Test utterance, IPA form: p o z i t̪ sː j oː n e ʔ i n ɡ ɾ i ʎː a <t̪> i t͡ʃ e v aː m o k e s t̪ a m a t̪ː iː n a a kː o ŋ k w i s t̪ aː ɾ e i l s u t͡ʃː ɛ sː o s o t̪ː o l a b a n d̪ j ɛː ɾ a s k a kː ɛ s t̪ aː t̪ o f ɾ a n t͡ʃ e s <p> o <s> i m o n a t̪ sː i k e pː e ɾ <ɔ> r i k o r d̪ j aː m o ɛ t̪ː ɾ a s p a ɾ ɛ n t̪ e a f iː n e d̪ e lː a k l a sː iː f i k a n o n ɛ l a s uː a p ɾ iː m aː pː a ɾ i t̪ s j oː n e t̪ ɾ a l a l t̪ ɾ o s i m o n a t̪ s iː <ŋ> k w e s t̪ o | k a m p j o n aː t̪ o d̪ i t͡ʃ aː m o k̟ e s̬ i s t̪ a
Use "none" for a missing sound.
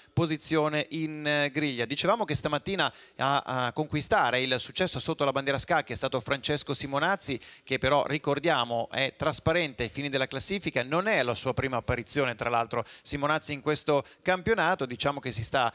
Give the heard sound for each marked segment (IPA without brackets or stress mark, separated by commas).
d̪, k, s, ɔ, ŋ